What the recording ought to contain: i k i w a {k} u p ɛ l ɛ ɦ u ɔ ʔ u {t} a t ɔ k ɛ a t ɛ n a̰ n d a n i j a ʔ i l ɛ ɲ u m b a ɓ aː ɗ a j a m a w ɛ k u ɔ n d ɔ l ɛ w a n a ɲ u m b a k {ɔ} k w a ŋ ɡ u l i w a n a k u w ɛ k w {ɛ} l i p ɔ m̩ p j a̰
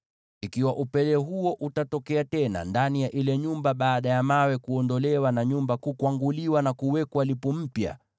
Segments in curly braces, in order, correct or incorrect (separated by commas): incorrect, correct, incorrect, incorrect